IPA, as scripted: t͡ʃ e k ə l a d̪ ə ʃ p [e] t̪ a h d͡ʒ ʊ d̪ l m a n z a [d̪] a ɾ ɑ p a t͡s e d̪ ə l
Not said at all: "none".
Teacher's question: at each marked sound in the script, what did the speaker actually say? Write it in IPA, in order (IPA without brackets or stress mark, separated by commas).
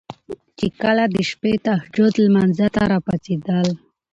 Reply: e, t̪